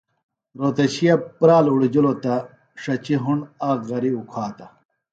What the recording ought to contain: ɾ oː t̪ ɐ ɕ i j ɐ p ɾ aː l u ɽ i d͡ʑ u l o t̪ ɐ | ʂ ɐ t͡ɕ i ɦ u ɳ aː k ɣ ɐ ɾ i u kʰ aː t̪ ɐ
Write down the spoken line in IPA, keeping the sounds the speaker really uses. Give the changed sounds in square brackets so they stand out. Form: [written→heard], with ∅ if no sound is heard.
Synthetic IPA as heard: ɾ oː t̪ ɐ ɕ i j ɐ p ɾ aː l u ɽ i d͡ʑ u l o t̪ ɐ | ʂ ɐ t͡ɕ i ɦ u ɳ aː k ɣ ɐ ɾ i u kʰ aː t̪ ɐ